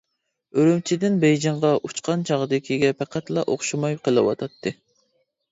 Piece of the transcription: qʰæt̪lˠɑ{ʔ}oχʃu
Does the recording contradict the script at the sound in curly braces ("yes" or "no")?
no